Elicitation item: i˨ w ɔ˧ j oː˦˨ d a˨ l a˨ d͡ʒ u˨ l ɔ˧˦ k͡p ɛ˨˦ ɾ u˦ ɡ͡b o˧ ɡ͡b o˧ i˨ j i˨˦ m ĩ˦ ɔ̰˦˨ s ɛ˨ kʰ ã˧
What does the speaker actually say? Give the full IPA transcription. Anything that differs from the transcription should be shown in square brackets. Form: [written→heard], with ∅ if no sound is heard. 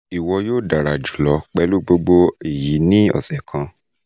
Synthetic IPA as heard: i˨ w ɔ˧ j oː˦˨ d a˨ [l→ɾ] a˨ d͡ʒ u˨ l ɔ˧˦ k͡p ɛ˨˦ [ɾ→l] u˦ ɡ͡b o˧ ɡ͡b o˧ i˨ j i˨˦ [m→n] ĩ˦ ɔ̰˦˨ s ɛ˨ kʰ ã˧